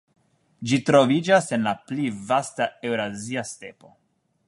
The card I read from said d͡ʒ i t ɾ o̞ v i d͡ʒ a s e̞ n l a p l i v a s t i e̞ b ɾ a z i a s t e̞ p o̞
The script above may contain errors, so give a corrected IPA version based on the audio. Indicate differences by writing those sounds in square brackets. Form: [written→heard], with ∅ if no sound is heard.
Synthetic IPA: d͡ʒ i t ɾ o̞ v i d͡ʒ a s e̞ n l a p l i v a s t [i→a] e̞ [b→w] ɾ a z i a s t e̞ p o̞